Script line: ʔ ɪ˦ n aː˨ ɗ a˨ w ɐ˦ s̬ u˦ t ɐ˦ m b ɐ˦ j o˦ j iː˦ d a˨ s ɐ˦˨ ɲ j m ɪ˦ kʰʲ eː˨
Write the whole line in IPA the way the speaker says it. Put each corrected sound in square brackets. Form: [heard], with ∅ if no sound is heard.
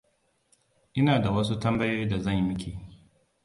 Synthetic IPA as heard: ʔ ɪ˦ n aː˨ [d] a˨ w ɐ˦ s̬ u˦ t ɐ˦ m b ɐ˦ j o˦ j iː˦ d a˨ [z] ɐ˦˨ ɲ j m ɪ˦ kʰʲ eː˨